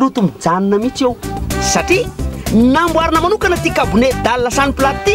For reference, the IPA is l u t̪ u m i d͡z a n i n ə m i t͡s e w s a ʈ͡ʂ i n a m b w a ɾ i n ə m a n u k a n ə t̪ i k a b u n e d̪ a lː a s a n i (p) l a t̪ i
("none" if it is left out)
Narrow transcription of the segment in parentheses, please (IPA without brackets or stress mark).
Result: p